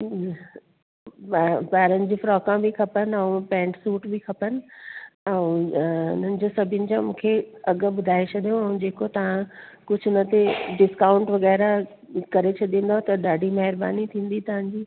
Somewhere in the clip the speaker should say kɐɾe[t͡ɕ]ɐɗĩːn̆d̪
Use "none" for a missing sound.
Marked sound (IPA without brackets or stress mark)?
t͡ɕʰ